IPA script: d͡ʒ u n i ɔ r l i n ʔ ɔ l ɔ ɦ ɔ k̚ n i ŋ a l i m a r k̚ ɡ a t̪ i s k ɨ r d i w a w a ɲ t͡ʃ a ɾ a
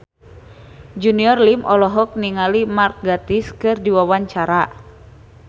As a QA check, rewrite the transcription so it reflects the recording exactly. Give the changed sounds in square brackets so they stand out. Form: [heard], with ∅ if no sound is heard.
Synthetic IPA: d͡ʒ u n i ɔ r l i [m] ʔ ɔ l ɔ ɦ ɔ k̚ n i ŋ a l i m a r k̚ ɡ a t̪ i s k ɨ r d i w a w a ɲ t͡ʃ a ɾ a